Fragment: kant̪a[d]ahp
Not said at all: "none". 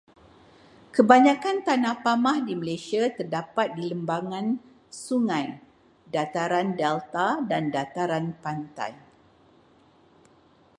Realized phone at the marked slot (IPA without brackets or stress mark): n